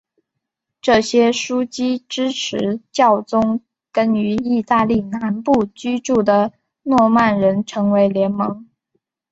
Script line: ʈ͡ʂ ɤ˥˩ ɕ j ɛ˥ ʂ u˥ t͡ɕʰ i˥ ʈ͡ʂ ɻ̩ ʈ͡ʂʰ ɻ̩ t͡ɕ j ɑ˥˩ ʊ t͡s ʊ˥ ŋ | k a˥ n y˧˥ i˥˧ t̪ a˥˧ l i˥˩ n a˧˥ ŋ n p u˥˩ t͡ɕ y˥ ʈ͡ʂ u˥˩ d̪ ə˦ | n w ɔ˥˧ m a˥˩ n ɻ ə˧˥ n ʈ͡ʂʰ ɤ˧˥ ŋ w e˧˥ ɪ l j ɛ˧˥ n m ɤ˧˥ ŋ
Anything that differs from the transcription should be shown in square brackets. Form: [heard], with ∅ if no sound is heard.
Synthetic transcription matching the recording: ʈ͡ʂ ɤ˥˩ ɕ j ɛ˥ ʂ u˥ [t͡ɕ] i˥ ʈ͡ʂ ɻ̩ ʈ͡ʂʰ ɻ̩ t͡ɕ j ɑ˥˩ ʊ t͡s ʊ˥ ŋ | k [ə˥] n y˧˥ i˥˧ t̪ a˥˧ l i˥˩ n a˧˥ [∅] n p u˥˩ t͡ɕ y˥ ʈ͡ʂ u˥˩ d̪ [ə˩] | n w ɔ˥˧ m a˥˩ n ɻ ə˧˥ n ʈ͡ʂʰ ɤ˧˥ ŋ w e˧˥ ɪ l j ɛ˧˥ n m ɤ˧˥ ŋ

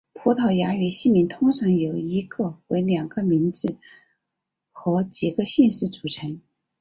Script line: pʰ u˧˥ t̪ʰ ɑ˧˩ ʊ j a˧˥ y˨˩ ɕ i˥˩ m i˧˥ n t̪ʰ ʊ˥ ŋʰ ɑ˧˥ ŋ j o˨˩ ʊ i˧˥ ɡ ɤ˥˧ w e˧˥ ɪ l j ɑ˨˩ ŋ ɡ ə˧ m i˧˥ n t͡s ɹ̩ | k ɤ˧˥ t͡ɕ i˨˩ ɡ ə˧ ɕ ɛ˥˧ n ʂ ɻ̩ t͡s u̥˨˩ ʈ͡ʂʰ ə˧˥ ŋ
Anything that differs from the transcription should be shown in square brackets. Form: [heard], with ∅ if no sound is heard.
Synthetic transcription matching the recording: pʰ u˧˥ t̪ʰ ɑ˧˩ ʊ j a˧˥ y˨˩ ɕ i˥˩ m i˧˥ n t̪ʰ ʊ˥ ŋʰ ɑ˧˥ ŋ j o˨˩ ʊ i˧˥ ɡ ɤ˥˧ w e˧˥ ɪ l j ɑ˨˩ ŋ ɡ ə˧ m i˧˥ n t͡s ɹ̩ | [x] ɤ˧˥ t͡ɕ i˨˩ ɡ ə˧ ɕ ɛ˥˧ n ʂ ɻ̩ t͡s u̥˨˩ ʈ͡ʂʰ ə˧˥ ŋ

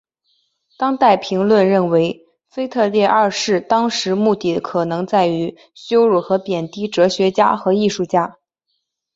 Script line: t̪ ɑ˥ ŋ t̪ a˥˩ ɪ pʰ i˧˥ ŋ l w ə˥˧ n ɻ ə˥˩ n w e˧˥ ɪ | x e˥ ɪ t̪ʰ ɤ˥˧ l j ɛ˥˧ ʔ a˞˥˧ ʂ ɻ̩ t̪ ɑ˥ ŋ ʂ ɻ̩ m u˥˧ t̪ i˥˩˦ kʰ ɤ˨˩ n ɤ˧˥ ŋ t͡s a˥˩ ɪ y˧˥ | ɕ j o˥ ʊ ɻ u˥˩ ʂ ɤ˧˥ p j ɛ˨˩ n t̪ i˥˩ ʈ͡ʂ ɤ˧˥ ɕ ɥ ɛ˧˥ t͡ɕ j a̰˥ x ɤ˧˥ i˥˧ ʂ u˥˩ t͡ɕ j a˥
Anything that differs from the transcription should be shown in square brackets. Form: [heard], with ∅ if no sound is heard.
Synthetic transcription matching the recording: t̪ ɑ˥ ŋ t̪ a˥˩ ɪ pʰ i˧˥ ŋ l w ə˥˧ n ɻ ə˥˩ n w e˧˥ ɪ | [f] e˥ ɪ t̪ʰ ɤ˥˧ l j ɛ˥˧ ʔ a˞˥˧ ʂ ɻ̩ t̪ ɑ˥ ŋ ʂ ɻ̩ m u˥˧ t̪ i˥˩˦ kʰ ɤ˨˩ n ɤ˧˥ ŋ t͡s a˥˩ ɪ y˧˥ | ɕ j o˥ ʊ ɻ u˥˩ [x] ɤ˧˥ p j ɛ˨˩ n t̪ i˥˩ ʈ͡ʂ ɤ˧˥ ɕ ɥ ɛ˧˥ t͡ɕ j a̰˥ x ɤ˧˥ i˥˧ ʂ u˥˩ t͡ɕ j a˥

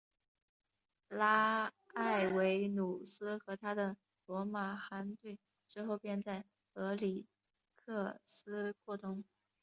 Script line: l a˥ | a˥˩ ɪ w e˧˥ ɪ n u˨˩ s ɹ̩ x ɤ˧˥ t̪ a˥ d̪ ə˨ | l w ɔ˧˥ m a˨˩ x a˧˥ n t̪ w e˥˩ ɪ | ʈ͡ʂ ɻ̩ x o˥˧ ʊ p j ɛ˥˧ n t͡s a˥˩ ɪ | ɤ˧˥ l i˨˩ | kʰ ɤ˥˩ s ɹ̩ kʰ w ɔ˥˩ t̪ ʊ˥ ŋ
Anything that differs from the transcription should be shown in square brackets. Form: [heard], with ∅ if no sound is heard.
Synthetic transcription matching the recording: l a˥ | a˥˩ ɪ w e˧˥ ɪ n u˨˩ s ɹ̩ x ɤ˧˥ [t̪ʰ] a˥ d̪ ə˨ | l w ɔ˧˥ m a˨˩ x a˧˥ n t̪ w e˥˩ ɪ | ʈ͡ʂ ɻ̩ x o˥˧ ʊ p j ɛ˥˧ n t͡s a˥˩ ɪ | ɤ˧˥ l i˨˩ | kʰ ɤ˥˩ s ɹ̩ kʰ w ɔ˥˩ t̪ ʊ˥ ŋ

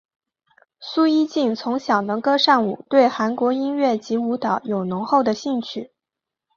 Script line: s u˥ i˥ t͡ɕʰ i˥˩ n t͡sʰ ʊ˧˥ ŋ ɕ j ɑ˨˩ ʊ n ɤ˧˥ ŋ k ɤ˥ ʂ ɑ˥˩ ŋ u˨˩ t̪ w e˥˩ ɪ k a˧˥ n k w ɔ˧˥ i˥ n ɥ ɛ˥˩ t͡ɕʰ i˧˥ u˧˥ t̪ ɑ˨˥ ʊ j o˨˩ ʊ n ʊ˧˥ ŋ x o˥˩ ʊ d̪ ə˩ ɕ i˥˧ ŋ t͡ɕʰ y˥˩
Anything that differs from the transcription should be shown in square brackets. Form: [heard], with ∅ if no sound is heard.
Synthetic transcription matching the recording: s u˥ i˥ [t͡ɕ] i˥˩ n t͡sʰ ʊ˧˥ ŋ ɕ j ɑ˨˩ ʊ n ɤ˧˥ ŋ k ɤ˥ ʂ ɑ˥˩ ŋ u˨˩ t̪ w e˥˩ ɪ [x] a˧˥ n k w ɔ˧˥ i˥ n ɥ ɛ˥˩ [t͡ɕ] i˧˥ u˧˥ t̪ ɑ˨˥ ʊ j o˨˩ ʊ n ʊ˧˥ ŋ x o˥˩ ʊ d̪ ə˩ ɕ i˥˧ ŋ t͡ɕʰ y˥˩

